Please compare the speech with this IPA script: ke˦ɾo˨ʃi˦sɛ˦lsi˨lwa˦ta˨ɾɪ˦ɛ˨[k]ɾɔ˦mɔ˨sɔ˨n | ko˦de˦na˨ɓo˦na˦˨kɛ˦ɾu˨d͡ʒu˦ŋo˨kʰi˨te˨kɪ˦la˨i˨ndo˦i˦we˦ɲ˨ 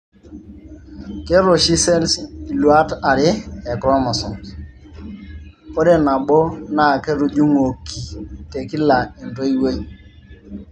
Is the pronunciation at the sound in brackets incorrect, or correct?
correct